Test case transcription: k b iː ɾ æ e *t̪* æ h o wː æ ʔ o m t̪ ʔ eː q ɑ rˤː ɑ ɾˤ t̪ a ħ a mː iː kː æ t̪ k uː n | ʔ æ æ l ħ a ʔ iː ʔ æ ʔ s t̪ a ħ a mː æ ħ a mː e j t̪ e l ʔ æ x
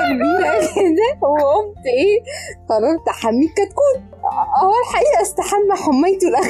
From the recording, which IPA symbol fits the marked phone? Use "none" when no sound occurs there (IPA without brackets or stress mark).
d̪